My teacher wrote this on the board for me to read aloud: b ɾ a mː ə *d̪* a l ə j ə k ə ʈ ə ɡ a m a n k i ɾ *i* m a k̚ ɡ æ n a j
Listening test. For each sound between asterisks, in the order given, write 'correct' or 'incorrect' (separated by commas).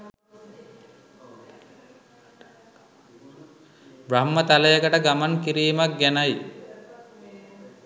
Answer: incorrect, incorrect